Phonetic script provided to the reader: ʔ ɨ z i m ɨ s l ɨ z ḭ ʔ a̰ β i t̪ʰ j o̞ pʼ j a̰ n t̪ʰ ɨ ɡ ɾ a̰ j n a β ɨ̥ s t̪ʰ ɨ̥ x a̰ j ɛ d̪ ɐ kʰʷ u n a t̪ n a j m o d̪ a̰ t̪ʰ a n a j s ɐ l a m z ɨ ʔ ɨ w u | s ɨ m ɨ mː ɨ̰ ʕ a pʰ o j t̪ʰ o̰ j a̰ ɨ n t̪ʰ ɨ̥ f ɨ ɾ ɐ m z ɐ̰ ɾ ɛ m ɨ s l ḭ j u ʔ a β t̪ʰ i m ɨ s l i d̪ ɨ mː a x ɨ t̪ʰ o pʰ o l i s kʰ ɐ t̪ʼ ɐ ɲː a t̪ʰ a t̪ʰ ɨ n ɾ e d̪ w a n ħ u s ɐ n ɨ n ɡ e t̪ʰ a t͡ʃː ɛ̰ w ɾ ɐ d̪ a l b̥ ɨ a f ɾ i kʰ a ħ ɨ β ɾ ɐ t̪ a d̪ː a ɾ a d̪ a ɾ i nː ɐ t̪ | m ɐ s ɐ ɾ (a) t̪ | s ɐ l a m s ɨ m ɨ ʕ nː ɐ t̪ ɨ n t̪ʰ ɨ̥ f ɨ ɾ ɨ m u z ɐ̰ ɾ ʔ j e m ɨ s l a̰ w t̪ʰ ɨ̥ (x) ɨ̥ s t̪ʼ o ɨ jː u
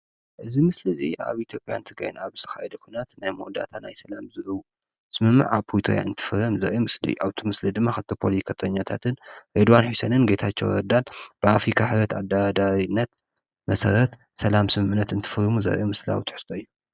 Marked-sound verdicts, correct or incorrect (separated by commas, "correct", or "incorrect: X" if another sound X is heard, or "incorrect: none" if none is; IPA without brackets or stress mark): incorrect: ɐ, incorrect: ħ